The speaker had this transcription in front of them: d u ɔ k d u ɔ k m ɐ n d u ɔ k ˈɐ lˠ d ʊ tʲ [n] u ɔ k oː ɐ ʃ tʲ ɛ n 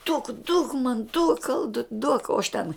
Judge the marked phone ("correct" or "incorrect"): incorrect